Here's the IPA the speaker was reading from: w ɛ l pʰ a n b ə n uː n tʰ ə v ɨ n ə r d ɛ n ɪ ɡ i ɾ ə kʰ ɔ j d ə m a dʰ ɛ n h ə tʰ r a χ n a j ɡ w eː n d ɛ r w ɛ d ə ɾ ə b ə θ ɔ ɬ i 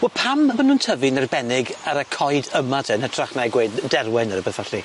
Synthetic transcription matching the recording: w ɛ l pʰ a m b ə n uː n tʰ ə v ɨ n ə r b ɛ n ɪ ɡ a ɾ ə kʰ ɔ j d ə m a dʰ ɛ n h ə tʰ r a χ n a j ɡ w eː d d ɛ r w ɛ n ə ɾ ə b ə θ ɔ ɬ i